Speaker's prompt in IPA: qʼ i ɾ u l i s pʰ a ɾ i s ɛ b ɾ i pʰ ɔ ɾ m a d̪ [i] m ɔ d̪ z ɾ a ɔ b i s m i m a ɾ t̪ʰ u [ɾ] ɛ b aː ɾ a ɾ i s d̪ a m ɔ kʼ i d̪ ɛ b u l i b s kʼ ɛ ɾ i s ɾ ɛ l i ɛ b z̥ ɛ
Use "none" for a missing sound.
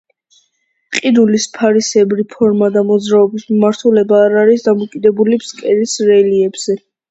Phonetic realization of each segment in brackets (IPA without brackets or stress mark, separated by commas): a, l